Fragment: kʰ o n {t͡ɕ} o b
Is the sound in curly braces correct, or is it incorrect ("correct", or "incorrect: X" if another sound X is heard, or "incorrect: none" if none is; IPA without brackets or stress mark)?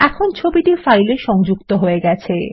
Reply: incorrect: t͡ɕʰ